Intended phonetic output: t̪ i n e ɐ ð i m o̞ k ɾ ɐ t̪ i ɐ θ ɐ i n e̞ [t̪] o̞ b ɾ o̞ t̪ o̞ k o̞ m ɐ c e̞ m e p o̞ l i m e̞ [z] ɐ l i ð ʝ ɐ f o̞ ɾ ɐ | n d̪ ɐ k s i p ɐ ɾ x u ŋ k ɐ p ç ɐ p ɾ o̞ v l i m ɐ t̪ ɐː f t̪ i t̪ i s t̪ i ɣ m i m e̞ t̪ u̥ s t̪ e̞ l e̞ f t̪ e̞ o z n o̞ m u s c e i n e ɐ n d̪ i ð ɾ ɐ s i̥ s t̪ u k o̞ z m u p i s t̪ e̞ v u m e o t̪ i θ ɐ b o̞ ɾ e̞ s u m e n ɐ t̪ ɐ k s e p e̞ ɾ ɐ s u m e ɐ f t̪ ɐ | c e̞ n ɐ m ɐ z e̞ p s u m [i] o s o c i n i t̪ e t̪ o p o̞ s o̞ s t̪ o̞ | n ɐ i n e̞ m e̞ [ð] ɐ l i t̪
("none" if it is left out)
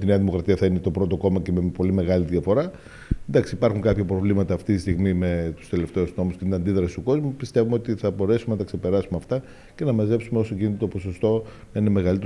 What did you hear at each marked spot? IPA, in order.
t̪, ɣ, e, ɣ

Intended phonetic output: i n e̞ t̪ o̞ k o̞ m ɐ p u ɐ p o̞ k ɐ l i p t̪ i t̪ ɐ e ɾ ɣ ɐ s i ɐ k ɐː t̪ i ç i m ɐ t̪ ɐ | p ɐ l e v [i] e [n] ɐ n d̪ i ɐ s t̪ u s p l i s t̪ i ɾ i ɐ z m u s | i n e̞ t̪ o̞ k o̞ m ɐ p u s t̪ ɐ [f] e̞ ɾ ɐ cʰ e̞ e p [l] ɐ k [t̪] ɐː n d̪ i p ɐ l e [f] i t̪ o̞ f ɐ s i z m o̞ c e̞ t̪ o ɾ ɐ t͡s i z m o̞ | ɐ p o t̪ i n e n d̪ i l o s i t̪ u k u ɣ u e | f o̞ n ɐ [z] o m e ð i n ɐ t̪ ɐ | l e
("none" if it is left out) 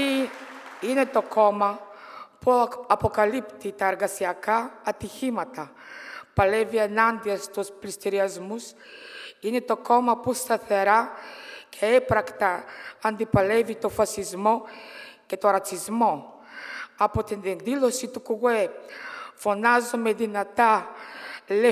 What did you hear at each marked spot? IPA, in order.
i, n, θ, ɾ, t̪, v, z

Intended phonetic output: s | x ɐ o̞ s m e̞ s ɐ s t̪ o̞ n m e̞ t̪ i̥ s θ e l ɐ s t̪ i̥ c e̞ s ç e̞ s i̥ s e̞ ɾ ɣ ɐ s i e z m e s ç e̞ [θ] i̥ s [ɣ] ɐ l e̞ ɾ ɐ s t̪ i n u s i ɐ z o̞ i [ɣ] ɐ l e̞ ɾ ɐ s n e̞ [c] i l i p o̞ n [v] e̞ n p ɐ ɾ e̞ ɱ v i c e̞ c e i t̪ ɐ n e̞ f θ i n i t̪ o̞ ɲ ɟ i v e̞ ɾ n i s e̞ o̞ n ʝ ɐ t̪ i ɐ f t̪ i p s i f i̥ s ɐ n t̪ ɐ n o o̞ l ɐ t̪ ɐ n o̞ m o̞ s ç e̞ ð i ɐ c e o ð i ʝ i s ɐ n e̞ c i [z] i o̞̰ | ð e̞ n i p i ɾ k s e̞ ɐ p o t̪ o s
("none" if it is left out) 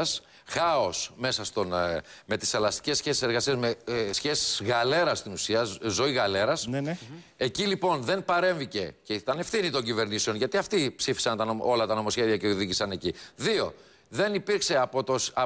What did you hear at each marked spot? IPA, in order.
s, ɣ, ɣ, c, ð, ð

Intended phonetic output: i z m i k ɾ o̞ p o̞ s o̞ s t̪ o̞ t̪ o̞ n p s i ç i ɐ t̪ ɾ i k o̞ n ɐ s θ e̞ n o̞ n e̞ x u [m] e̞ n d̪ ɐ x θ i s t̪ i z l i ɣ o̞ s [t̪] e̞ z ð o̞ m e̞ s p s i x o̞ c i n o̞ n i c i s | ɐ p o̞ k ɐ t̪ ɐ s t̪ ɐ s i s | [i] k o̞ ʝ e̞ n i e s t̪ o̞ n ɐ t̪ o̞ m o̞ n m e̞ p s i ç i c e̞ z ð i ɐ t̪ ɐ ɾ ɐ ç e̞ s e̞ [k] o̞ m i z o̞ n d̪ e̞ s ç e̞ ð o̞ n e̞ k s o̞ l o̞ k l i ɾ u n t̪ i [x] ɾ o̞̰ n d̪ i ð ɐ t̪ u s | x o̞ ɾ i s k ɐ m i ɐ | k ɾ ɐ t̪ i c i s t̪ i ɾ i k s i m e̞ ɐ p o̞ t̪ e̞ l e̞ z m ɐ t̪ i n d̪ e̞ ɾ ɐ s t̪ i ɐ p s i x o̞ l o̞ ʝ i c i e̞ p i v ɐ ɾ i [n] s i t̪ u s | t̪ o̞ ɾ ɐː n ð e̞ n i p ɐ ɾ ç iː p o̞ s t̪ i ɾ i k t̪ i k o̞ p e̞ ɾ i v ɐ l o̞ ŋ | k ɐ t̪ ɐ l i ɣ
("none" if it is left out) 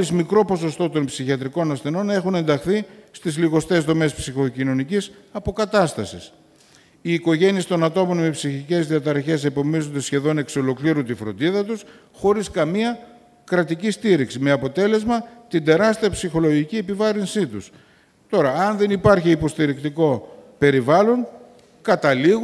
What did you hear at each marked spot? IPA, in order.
n, t̪, iː, p, f, n

